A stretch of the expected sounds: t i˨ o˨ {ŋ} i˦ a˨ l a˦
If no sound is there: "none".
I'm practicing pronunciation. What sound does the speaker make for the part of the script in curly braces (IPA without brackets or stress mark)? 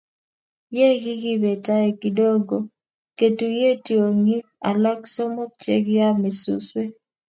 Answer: ŋ